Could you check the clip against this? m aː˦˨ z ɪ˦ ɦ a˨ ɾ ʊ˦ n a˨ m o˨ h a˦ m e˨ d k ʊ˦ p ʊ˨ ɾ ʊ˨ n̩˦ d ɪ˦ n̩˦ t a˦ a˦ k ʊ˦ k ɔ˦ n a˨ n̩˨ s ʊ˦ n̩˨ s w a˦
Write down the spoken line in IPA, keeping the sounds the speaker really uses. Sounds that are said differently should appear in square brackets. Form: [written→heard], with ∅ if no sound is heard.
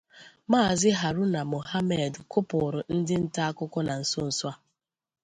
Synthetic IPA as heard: m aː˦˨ z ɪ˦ ɦ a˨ ɾ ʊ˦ n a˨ m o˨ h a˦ m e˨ d k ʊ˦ p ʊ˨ ɾ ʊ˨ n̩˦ d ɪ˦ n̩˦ t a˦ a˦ k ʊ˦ k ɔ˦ n a˨ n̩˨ s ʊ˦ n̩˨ s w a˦